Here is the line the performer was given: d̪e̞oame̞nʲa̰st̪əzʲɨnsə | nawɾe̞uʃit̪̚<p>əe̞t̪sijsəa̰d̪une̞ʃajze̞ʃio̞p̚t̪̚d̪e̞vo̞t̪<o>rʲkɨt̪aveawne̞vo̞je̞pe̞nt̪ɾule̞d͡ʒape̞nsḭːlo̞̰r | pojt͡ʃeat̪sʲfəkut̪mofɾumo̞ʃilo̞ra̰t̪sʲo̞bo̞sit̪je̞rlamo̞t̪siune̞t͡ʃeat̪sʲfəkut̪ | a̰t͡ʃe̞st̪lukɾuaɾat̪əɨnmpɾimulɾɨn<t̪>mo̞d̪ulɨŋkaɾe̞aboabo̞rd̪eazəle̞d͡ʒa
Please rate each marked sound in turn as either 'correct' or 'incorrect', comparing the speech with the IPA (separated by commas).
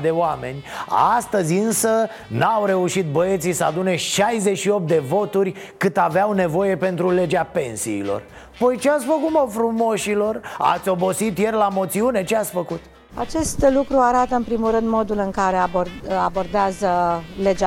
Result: incorrect, incorrect, incorrect